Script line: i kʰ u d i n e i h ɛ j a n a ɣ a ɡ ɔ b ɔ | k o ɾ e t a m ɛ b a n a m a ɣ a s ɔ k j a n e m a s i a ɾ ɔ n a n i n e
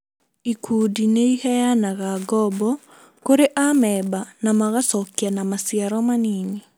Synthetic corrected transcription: i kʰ u d i n e i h ɛ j a n a ɣ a ɡ ɔ b ɔ | k o ɾ e ʔ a m ɛ b a n a m a ɣ a s ɔ k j a n a m a s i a ɾ ɔ m a n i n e